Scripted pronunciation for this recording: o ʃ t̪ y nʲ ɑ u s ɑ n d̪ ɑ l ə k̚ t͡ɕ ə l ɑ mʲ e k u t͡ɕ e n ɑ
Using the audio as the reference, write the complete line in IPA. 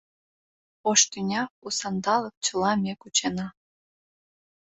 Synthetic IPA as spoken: o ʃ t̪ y nʲ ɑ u s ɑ n d̪ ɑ l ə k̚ t͡ɕ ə l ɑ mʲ e k u t͡ɕ e n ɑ